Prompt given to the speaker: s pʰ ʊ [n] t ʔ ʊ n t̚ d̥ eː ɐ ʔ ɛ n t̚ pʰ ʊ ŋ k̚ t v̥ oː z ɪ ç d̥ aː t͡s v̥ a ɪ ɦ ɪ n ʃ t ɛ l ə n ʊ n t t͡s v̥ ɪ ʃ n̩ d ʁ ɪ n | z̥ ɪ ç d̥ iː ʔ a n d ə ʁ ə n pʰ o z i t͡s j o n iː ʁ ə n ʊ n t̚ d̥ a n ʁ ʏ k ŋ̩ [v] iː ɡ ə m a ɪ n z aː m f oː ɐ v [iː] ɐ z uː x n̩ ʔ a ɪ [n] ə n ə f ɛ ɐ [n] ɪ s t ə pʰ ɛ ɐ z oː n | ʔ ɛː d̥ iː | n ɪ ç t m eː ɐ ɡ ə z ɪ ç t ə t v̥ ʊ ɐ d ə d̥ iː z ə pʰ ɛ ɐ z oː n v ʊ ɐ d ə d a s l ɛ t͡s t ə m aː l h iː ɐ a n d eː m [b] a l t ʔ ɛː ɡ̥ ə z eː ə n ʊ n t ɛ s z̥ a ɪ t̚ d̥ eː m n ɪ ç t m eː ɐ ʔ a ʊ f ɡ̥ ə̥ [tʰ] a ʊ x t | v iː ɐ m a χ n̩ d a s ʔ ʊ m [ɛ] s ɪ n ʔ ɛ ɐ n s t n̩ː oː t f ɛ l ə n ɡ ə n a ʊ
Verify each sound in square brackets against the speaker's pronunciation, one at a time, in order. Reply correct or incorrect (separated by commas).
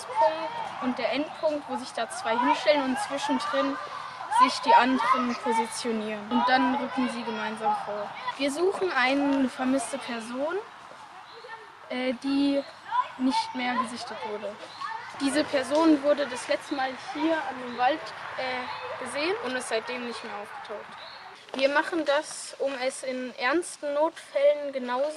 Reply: incorrect, incorrect, correct, correct, incorrect, incorrect, correct, correct